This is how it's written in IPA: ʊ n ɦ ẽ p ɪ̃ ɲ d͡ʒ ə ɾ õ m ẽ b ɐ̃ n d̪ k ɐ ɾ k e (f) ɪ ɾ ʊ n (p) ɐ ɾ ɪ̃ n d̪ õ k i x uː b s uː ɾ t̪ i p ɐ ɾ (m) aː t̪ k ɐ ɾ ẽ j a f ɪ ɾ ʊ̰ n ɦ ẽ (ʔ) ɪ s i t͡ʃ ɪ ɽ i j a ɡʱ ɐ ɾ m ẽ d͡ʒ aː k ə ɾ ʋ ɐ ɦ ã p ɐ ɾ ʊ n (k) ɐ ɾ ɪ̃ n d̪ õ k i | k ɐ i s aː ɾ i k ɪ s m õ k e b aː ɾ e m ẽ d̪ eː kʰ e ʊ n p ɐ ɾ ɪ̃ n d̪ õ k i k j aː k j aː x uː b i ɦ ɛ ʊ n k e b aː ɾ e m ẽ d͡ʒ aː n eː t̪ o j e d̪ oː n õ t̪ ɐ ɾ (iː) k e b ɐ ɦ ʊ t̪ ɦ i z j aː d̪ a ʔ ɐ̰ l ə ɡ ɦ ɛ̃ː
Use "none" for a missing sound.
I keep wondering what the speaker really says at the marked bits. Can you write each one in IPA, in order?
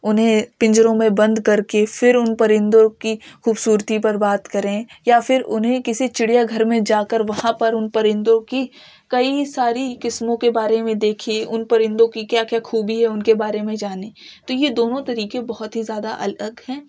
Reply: f, p, b, k, p, iː

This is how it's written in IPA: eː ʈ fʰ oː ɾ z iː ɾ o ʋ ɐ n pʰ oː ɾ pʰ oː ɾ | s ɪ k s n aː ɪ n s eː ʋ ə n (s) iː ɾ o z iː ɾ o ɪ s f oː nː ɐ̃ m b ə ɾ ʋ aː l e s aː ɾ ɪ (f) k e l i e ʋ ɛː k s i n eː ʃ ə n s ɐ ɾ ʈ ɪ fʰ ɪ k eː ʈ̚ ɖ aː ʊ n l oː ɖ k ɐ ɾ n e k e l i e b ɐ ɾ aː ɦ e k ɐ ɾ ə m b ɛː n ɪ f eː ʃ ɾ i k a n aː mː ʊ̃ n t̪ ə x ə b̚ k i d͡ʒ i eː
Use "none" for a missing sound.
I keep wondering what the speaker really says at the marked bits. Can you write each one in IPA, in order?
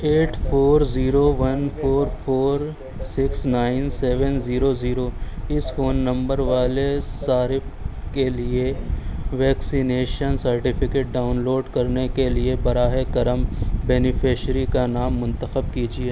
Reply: z, f

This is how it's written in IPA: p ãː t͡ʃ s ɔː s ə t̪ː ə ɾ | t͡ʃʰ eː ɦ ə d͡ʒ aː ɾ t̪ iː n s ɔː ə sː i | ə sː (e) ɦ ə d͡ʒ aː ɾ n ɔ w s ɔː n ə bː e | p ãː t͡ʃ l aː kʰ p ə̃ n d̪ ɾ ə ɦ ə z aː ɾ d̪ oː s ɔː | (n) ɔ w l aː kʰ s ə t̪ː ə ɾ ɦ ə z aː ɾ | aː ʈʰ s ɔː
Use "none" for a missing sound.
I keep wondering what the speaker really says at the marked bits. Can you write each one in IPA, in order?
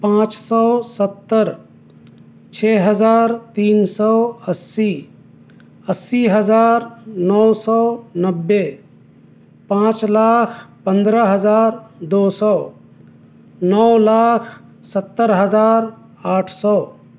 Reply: i, n

